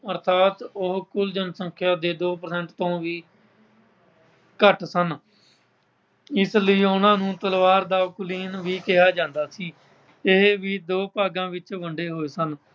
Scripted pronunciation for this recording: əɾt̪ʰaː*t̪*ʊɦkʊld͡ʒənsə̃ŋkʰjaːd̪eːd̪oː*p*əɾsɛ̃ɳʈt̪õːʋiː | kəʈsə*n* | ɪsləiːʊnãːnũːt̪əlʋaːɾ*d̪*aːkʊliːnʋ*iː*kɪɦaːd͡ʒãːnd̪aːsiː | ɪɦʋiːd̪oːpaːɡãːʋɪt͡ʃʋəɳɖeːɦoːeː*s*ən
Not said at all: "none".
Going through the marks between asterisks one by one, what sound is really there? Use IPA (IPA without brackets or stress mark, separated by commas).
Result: t̪, p, n, d̪, iː, s